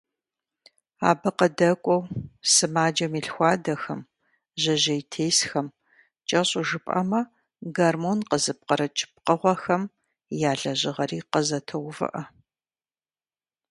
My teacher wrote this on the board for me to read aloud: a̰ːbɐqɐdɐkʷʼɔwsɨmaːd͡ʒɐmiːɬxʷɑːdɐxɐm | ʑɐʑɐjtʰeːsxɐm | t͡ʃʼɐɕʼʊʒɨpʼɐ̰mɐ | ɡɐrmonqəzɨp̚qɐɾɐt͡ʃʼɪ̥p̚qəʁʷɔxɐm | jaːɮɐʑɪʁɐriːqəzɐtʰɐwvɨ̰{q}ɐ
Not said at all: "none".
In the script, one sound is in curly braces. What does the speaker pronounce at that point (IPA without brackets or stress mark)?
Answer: ʔ